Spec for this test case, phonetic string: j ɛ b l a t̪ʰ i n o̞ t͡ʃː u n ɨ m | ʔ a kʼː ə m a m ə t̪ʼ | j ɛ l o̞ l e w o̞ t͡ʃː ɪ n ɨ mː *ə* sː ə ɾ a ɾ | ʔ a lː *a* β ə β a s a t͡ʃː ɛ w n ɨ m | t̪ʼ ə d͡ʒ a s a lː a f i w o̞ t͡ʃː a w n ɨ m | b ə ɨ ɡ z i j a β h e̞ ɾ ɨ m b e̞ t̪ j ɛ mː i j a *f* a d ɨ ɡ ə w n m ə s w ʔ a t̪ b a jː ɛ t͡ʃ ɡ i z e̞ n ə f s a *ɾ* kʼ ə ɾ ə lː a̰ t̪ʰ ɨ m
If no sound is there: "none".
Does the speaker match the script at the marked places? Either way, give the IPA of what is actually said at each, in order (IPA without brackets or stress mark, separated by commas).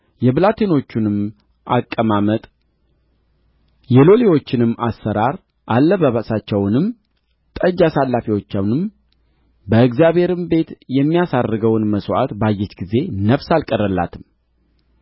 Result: a, ə, s, l